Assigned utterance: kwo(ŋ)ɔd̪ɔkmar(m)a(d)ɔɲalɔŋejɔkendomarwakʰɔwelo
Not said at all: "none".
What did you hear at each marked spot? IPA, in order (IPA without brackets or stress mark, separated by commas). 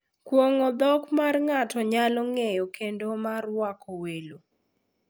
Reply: ŋ, ŋ, t